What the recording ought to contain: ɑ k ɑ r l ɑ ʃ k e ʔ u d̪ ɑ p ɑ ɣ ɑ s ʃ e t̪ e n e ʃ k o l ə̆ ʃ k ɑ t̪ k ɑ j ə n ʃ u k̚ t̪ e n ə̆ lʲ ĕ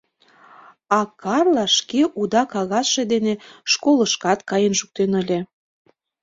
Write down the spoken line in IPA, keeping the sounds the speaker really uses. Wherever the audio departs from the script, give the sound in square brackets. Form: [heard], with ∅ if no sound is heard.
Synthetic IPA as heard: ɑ k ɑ r l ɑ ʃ k e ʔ u d̪ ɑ [k] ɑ ɣ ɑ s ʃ e [d̪] e n e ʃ k o l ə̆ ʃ k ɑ t̪ k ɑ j ə n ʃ u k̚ t̪ e n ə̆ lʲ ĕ